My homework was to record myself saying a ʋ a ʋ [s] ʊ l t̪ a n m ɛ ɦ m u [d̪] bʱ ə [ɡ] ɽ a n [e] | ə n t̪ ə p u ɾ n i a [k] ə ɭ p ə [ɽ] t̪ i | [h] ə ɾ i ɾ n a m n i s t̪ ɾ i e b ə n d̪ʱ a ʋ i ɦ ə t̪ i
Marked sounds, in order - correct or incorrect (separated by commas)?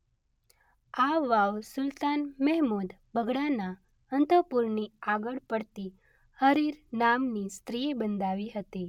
correct, correct, correct, incorrect, incorrect, correct, correct